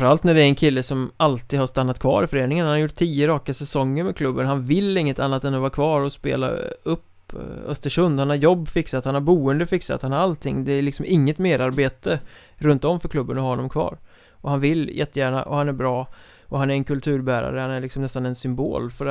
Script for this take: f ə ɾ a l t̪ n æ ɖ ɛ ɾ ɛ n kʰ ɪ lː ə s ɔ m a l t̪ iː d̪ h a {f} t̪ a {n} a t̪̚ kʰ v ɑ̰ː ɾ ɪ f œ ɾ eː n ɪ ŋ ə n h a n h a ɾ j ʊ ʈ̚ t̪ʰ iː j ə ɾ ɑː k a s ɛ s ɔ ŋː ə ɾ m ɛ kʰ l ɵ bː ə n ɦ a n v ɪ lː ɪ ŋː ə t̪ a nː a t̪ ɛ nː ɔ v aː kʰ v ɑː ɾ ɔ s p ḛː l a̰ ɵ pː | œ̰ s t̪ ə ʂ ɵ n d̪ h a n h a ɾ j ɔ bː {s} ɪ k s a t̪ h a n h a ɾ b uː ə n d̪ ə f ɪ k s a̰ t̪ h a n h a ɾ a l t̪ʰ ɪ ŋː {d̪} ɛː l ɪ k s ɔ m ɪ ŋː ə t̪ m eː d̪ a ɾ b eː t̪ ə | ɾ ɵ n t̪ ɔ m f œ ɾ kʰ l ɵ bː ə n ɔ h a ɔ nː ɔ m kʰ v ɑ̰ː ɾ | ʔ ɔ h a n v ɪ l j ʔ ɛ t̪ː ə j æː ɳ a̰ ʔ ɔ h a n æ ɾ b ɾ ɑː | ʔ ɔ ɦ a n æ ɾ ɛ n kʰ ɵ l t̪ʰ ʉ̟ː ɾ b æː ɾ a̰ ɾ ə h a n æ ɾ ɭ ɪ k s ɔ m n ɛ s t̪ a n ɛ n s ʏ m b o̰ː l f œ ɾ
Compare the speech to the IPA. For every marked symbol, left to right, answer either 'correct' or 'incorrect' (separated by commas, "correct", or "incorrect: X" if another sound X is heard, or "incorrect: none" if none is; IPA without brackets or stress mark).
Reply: incorrect: ʂ, incorrect: nː, incorrect: f, correct